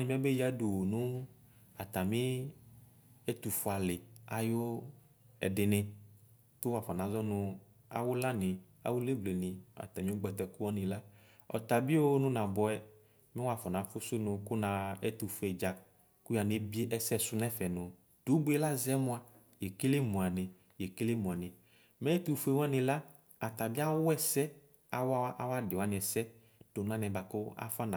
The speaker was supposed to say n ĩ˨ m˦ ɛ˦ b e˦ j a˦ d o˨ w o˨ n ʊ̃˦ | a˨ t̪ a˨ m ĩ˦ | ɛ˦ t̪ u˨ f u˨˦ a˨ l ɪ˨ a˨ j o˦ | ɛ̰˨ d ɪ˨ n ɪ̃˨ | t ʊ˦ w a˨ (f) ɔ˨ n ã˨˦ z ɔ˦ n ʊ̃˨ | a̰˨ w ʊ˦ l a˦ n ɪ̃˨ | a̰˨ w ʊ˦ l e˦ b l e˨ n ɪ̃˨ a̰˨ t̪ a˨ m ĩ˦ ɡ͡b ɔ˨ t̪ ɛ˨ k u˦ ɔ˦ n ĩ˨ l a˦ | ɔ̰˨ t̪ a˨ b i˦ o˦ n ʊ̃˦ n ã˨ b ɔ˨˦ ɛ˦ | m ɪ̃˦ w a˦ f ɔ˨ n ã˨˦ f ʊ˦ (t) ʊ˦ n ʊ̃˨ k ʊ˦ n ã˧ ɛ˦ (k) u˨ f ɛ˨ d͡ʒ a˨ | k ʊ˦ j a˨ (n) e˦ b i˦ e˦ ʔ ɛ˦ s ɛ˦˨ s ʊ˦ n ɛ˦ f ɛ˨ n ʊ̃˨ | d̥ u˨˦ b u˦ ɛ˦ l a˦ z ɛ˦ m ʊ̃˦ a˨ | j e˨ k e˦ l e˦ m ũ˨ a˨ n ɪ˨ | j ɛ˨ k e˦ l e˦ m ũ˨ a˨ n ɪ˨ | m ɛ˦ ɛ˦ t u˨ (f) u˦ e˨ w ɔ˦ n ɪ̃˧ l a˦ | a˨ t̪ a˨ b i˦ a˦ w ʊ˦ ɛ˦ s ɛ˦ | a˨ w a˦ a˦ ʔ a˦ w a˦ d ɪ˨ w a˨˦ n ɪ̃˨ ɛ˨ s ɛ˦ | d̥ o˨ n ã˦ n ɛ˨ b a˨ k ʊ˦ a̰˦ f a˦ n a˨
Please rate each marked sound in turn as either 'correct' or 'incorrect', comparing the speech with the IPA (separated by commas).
correct, incorrect, incorrect, correct, correct